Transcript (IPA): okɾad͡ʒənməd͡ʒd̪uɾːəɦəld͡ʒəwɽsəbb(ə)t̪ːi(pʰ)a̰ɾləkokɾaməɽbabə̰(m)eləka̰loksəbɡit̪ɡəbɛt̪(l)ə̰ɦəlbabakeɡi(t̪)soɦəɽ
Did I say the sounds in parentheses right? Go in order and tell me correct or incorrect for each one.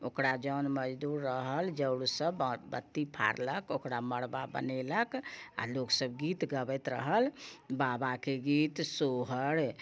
correct, correct, incorrect: n, incorrect: ɾ, correct

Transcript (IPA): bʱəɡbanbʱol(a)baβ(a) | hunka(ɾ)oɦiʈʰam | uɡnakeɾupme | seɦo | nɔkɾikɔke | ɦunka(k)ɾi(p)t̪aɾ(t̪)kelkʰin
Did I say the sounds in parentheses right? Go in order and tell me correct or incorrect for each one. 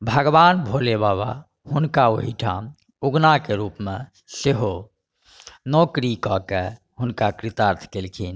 incorrect: e, correct, incorrect: none, correct, incorrect: none, incorrect: t̪ʰ

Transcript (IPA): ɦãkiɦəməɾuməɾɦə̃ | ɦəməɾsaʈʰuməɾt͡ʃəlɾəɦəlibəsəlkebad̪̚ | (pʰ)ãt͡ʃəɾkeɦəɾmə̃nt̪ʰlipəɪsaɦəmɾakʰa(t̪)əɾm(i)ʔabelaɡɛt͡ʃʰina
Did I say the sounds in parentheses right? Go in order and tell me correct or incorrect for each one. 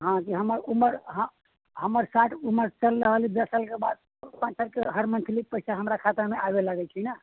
incorrect: p, correct, incorrect: e

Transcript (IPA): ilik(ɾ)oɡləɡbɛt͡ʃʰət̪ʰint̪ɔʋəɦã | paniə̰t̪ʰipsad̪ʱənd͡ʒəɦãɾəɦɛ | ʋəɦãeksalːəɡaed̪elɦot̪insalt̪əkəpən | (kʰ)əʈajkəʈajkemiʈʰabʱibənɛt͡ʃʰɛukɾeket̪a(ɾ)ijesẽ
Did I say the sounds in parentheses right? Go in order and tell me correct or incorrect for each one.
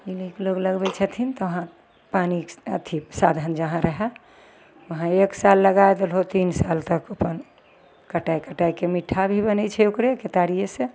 incorrect: l, incorrect: k, correct

